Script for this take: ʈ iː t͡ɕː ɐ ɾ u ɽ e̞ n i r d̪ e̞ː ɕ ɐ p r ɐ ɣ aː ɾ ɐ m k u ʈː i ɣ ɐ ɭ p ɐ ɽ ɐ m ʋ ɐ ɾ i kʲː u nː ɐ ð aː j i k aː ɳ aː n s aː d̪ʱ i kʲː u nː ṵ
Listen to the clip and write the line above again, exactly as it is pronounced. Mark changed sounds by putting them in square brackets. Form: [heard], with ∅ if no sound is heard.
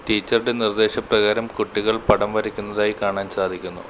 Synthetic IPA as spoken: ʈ iː t͡ɕː ɐ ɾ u ɽ e̞ n i r d̪ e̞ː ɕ ɐ p r ɐ ɣ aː ɾ ɐ m k u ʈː i ɣ ɐ ɭ p ɐ ɽ ɐ m ʋ ɐ ɾ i kʲː u nː ɐ ð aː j i k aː ɳ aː n s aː d̪ʱ i kʲː u nː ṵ